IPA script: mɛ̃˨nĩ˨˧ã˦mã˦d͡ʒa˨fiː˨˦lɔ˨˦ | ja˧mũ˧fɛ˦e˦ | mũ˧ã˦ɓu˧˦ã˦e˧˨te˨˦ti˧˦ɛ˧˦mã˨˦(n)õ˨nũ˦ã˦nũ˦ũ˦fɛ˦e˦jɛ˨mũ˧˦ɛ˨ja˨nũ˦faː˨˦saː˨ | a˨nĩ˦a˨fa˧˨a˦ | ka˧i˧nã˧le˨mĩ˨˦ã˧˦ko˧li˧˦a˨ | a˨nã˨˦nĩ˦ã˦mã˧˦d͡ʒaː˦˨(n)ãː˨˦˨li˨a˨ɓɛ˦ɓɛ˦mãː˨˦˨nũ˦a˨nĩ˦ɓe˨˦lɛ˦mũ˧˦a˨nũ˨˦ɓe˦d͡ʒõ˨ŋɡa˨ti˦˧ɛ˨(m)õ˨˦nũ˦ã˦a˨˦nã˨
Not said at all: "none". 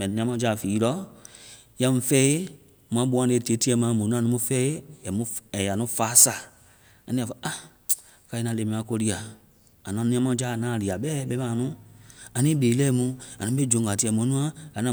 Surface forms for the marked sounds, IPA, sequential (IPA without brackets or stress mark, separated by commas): m, n, m